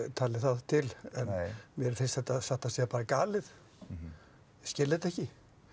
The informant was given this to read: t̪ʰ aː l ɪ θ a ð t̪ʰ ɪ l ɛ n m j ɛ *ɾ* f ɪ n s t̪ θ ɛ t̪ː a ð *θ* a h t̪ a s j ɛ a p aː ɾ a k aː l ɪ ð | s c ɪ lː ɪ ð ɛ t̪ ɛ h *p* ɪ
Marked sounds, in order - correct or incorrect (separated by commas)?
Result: correct, incorrect, incorrect